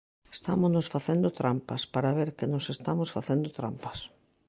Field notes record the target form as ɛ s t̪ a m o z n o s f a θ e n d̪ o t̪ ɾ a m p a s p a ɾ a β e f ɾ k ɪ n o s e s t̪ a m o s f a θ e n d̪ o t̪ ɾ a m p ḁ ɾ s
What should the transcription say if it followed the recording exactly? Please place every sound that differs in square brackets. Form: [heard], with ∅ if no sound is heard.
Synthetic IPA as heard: [e] s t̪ a m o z n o s f a θ e n d̪ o t̪ ɾ a m p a s p a ɾ a β e [∅] ɾ k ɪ n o s e s t̪ a m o s f a θ e n d̪ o t̪ ɾ a m p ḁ [∅] s